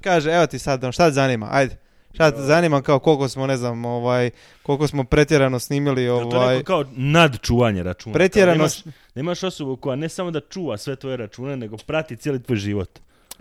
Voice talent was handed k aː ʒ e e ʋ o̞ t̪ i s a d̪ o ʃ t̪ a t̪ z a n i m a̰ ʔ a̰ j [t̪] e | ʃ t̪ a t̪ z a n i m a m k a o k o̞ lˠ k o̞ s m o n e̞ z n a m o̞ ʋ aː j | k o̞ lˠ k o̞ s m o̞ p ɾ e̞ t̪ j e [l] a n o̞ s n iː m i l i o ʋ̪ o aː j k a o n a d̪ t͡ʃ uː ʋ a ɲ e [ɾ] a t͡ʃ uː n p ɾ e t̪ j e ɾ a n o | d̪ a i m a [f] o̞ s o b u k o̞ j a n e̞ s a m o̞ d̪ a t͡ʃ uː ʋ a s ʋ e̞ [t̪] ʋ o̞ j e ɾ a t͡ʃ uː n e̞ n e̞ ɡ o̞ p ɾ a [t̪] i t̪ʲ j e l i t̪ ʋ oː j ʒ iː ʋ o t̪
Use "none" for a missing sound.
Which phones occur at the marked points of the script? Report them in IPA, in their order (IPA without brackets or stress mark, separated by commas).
d̪, ɾ, ɾ, ʃ, t̪, t̪